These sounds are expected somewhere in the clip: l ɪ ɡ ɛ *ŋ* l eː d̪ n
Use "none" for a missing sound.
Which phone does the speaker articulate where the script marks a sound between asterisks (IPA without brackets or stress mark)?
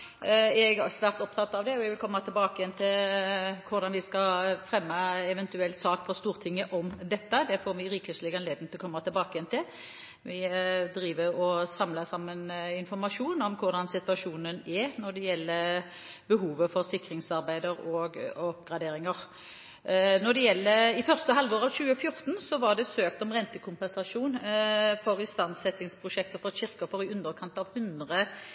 n